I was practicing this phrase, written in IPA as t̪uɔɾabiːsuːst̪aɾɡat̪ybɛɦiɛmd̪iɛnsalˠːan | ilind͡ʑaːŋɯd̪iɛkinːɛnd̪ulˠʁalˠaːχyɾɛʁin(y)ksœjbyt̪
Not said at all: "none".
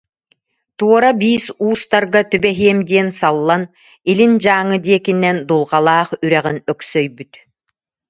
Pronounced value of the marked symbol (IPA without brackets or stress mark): œ